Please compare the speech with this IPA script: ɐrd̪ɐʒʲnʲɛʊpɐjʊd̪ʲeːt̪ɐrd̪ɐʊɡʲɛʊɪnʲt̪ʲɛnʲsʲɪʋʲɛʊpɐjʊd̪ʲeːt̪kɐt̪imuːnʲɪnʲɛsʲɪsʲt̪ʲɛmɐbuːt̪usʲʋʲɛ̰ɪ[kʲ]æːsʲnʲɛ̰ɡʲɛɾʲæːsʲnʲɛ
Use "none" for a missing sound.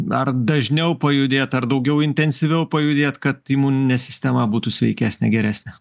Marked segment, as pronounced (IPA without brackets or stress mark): kʲ